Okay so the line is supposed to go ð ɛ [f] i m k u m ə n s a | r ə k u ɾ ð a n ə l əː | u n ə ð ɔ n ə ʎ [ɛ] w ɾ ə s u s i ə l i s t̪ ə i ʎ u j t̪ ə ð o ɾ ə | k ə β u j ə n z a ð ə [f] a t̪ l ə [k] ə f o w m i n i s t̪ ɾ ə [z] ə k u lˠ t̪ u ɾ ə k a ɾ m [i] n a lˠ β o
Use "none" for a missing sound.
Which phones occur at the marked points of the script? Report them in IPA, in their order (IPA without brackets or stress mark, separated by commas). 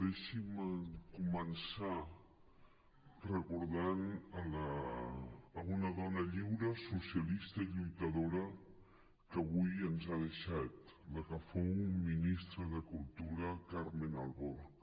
ʃ, i, ʃ, k, ð, e